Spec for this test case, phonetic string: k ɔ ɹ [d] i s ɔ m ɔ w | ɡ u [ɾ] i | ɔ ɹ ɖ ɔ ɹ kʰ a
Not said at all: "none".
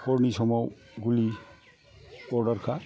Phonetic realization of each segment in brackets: n, l

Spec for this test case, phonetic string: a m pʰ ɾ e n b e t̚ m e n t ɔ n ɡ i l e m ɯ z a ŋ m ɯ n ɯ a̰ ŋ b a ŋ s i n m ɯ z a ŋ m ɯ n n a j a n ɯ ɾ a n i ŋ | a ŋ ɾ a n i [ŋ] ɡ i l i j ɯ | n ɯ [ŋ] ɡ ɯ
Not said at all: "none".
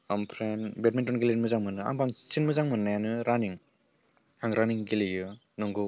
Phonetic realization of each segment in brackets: ŋ, ŋ

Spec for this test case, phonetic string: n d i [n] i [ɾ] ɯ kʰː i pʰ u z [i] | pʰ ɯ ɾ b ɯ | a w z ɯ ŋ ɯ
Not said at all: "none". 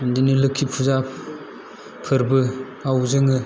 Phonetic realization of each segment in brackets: n, l, a

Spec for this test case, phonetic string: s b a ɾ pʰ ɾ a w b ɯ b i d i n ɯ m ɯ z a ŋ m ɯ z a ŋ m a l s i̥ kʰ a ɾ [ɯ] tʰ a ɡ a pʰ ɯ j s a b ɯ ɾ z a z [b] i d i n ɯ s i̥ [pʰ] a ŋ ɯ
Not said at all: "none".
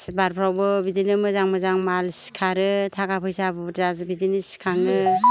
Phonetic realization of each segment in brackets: ɯ, b, kʰ

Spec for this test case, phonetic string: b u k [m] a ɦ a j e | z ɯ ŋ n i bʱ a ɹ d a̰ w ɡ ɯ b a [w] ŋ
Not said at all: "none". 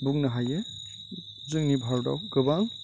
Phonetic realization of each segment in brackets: n, none

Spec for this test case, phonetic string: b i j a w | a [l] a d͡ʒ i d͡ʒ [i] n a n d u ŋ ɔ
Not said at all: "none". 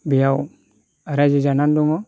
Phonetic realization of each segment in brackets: ɾ, a

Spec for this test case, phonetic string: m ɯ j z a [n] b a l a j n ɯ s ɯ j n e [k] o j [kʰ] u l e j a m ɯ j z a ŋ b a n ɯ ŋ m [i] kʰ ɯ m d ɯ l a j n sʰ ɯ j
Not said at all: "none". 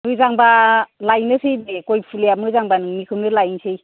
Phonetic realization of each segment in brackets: ŋ, k, pʰ, i

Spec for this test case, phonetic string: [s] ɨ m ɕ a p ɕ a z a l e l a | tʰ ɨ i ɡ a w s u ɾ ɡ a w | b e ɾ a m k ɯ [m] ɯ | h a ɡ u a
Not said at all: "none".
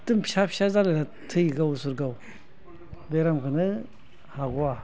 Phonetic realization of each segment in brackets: t, n

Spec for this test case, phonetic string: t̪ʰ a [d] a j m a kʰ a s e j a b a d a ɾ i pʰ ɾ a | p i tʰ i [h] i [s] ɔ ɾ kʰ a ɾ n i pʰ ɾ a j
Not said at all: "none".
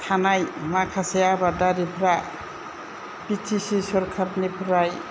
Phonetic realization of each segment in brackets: n, s, s

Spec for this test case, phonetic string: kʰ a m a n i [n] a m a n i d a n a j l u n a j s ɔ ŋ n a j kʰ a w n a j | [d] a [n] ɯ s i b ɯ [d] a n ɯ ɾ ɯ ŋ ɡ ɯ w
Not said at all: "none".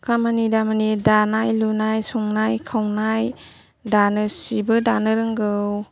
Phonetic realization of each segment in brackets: d, d, n, d

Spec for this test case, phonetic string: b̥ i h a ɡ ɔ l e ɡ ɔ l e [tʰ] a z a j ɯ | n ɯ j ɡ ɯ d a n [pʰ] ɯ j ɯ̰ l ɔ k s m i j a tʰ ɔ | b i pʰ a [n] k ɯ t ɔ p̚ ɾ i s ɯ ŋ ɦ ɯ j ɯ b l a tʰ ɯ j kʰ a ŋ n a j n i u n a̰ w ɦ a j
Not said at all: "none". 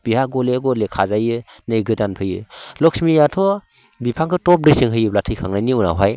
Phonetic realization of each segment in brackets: kʰ, pʰ, ŋ

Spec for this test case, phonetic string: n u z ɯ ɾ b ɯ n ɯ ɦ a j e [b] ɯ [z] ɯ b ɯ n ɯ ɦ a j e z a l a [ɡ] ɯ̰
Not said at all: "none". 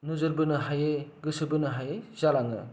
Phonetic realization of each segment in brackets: ɡ, s, ŋ

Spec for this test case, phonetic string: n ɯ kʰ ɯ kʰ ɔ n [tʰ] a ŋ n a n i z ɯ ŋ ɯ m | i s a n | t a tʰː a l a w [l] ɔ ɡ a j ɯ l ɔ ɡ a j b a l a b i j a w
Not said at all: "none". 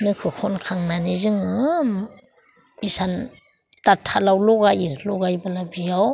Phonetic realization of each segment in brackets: kʰ, l

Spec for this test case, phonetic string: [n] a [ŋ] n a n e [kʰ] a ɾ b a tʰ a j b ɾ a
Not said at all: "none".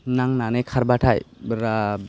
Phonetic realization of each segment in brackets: n, ŋ, kʰ

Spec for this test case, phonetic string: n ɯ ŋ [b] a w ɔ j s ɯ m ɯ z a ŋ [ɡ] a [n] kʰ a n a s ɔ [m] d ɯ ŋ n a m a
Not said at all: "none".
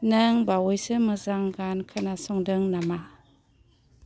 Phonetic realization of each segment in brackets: b, ɡ, n, ŋ

